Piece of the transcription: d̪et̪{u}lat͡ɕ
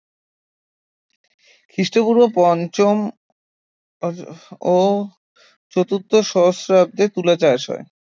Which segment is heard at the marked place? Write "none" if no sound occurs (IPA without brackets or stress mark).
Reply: u